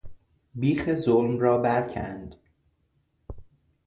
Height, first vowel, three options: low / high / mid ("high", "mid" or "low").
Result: high